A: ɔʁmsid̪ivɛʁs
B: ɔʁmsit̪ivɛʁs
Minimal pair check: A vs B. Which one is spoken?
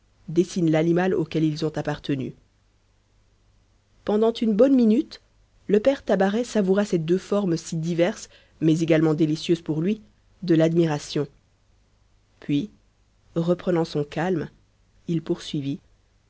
A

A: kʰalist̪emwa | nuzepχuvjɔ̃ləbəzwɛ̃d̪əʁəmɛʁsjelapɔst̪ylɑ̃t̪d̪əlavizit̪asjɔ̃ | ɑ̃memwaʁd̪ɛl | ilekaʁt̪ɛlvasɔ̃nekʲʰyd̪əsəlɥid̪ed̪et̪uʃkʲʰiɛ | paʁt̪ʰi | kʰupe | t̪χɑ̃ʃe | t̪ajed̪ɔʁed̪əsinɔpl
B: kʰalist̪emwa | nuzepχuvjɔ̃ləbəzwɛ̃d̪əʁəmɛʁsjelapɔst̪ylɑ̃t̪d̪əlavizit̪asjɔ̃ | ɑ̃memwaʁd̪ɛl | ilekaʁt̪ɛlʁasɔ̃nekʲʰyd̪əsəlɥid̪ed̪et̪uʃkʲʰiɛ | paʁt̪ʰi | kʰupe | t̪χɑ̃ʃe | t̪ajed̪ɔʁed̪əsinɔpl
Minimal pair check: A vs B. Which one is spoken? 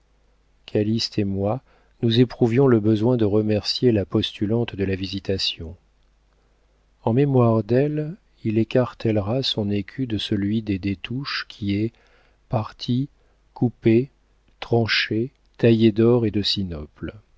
B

